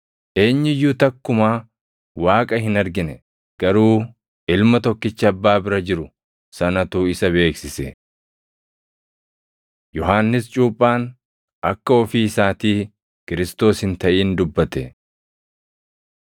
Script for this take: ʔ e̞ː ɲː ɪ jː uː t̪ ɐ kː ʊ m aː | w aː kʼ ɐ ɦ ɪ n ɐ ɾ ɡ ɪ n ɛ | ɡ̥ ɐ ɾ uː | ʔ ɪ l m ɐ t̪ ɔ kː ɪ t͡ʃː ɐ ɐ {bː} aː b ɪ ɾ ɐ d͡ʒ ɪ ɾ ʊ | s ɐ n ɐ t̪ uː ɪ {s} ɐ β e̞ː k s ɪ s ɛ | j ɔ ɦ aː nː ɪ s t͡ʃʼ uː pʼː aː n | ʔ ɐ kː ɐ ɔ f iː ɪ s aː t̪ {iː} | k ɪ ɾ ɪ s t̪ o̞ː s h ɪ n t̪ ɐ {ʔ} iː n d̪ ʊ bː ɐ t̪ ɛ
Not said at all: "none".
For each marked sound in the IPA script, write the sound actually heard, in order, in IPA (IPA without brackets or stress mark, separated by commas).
bː, s, iː, ʔ